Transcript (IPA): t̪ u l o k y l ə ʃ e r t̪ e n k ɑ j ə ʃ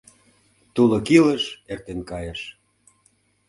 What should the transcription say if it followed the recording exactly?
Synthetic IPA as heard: t̪ u l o k i l ə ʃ e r t̪ e n k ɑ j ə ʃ

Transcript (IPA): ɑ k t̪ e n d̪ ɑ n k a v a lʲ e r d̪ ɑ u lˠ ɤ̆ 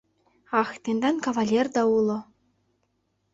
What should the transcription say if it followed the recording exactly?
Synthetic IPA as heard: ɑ x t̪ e n d̪ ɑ n k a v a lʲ e r d̪ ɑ u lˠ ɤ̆

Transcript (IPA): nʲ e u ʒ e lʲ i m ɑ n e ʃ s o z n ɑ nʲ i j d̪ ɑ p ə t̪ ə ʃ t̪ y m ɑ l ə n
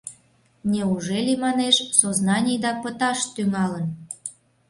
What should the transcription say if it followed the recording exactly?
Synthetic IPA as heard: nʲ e u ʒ e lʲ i m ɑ n e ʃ s o z n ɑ nʲ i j d̪ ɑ p ə t̪ ɑ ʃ t̪ y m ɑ l ə n

